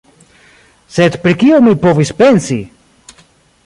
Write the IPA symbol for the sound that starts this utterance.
s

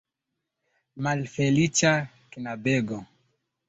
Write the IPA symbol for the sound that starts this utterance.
m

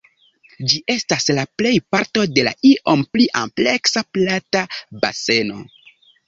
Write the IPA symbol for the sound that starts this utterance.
d͡ʒ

